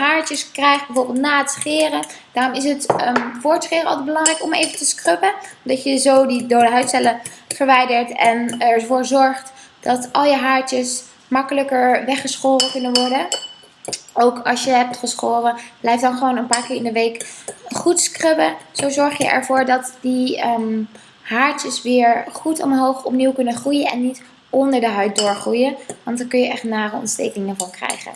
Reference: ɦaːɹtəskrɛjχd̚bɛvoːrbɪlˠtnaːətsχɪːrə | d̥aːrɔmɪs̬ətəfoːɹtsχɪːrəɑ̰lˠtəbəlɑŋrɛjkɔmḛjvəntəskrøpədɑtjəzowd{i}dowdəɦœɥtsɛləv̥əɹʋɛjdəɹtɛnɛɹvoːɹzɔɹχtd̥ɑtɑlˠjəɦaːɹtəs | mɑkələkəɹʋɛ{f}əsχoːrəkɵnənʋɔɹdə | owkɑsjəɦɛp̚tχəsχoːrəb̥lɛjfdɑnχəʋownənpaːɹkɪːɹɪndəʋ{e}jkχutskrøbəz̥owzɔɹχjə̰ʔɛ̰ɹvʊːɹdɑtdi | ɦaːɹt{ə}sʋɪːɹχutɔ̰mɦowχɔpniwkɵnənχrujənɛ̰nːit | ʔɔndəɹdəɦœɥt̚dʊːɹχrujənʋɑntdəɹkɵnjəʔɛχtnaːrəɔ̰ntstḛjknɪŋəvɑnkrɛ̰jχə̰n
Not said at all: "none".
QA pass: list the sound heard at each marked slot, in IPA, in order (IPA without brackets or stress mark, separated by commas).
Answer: i, χ, e, ə